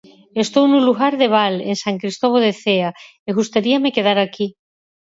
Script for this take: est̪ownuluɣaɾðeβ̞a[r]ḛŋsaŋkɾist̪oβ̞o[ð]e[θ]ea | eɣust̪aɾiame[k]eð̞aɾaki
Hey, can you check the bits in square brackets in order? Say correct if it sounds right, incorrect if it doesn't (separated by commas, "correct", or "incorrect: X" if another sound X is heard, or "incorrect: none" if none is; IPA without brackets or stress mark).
incorrect: l, correct, correct, correct